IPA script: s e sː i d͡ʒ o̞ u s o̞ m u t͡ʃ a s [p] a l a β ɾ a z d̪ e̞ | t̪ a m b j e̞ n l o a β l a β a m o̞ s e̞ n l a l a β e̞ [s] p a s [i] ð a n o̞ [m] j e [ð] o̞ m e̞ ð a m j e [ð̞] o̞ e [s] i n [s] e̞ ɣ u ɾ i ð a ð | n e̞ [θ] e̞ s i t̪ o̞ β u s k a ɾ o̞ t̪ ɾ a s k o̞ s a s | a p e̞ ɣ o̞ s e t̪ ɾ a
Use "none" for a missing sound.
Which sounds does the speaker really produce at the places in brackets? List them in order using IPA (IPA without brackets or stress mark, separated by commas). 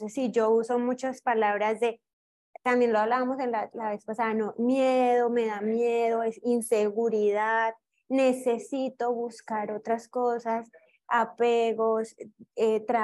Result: p, s, a, m, ð, ð̞, s, s, s